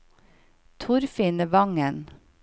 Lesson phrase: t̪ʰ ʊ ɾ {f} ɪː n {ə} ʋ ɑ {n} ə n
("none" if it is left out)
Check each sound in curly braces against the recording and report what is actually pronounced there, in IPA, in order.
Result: f, ə, ŋ

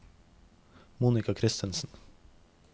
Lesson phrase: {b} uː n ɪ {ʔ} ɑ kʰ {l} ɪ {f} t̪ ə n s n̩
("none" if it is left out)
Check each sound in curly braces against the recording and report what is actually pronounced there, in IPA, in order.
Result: m, k, ɾ, s

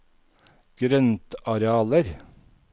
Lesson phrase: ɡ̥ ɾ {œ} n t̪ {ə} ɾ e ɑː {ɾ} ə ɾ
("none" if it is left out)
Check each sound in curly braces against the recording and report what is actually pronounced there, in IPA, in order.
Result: œ, ɑ, l

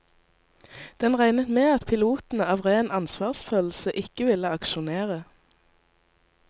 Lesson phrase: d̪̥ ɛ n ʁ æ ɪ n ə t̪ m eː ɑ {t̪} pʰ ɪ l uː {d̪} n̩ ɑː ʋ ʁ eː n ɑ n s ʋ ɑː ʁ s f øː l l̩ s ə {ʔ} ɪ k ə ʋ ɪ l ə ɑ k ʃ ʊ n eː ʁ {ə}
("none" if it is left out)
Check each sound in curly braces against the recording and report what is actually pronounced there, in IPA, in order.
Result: t̪, t̪, ʔ, ə

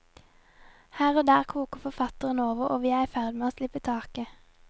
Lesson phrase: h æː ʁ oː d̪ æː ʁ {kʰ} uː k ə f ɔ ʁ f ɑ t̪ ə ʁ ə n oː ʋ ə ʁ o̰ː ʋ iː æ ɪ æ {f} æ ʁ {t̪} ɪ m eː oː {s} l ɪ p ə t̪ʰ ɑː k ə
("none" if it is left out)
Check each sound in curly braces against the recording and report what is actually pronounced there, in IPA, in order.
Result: kʰ, f, d̪, s

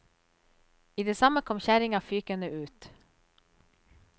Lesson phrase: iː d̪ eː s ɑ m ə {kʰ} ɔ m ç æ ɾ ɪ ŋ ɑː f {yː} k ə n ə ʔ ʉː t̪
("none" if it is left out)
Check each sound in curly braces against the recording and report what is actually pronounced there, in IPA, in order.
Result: kʰ, yː

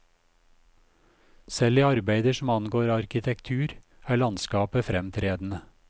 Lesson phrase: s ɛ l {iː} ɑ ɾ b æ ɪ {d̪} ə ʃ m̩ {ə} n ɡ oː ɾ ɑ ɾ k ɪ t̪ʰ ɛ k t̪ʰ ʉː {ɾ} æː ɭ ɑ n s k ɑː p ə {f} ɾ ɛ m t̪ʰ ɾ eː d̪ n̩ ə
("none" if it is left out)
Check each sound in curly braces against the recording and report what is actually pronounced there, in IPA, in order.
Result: iː, d̪, ɑ, ɾ, f

